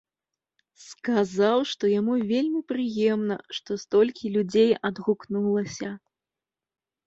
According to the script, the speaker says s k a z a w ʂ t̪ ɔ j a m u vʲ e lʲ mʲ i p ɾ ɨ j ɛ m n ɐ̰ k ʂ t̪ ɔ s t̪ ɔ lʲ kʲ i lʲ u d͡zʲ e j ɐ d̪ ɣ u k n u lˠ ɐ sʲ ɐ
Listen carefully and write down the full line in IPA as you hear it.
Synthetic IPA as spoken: s k a z a w ʂ t̪ ɔ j a m u vʲ e lʲ mʲ i p ɾ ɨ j ɛ m n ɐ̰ ʂ t̪ ɔ s t̪ ɔ lʲ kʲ i lʲ u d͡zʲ e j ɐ d̪ ɣ u k n u lˠ ɐ sʲ ɐ